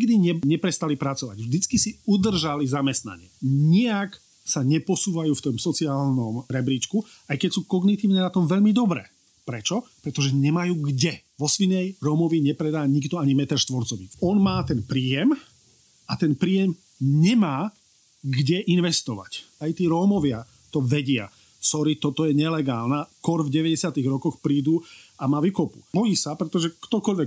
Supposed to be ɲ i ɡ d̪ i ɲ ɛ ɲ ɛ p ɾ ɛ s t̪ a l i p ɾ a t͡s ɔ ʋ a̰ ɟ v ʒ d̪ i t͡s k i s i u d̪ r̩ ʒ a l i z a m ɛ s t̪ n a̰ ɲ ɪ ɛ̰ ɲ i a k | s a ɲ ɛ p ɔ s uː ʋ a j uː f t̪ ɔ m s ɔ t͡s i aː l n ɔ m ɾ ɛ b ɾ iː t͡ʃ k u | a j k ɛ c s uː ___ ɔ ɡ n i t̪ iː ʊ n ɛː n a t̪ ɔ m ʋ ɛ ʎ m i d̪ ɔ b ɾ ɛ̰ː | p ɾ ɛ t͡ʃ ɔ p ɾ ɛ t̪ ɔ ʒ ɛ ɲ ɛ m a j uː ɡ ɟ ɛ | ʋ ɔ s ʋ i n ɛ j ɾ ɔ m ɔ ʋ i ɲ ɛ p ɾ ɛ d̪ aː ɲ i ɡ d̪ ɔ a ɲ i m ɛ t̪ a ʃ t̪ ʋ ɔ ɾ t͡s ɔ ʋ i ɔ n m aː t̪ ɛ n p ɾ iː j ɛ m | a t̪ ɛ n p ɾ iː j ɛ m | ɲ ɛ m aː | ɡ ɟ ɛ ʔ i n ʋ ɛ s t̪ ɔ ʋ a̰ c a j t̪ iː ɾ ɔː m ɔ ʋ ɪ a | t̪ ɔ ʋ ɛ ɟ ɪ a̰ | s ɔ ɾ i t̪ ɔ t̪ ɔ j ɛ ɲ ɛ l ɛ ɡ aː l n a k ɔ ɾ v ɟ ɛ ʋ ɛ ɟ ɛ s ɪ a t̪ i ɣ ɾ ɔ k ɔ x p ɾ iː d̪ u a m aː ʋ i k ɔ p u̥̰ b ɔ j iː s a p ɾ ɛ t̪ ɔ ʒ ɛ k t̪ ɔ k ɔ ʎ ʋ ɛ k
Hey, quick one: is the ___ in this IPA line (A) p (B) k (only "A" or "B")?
B